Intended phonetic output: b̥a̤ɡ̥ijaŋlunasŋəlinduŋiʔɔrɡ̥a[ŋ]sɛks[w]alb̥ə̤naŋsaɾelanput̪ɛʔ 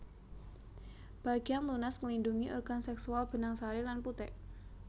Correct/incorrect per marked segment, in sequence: incorrect: n, incorrect: u

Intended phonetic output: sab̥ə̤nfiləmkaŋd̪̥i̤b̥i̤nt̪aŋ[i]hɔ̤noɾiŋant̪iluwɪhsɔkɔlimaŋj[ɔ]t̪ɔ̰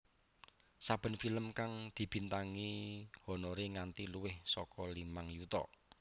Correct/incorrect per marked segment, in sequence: correct, incorrect: u

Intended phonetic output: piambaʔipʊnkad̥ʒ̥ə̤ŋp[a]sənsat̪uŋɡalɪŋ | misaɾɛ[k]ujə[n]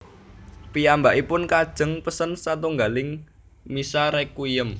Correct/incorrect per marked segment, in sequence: incorrect: ə, correct, incorrect: m

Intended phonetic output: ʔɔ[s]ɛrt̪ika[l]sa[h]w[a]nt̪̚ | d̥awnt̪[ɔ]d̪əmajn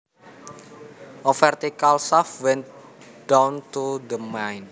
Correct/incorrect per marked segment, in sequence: incorrect: f, correct, incorrect: f, incorrect: ɛ, incorrect: u

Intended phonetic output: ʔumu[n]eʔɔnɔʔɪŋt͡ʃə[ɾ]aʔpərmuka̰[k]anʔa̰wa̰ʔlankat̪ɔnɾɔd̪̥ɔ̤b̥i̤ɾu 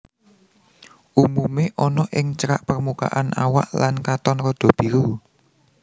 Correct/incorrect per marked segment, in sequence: incorrect: m, correct, incorrect: ʔ

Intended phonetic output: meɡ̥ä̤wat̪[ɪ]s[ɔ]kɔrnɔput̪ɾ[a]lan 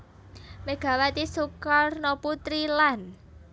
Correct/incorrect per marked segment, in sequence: incorrect: i, incorrect: u, incorrect: i

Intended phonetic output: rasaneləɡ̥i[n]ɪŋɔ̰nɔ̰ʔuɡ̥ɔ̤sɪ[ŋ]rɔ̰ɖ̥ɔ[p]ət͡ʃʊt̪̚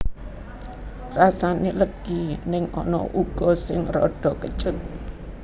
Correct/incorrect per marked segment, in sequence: correct, correct, incorrect: k

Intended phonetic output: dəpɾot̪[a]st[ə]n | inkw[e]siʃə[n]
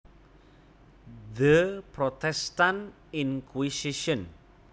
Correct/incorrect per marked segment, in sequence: incorrect: ɛ, incorrect: a, incorrect: i, correct

